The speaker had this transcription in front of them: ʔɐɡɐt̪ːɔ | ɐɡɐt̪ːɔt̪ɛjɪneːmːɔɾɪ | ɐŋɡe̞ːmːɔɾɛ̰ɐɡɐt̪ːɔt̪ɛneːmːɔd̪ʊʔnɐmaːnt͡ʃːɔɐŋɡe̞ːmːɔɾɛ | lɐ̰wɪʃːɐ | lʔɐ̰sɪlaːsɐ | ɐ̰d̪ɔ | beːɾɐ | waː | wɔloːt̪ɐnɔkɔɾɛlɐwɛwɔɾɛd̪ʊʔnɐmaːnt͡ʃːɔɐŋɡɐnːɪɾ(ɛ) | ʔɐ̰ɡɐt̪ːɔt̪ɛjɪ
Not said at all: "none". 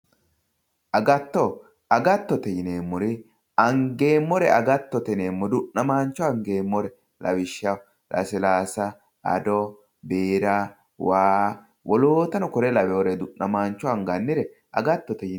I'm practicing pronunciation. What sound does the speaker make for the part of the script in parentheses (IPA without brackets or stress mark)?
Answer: ɛ